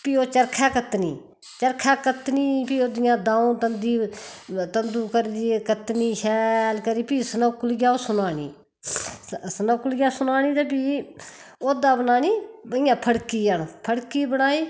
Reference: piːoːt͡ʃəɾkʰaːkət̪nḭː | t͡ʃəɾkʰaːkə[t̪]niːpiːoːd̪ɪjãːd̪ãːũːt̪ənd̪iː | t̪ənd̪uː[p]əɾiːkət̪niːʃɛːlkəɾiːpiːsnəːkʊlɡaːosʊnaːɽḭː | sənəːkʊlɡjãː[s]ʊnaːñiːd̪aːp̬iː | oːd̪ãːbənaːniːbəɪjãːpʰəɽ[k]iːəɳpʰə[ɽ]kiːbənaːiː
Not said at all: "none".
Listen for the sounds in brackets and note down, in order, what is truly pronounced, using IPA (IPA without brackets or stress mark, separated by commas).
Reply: t̪, k, s, k, ɽ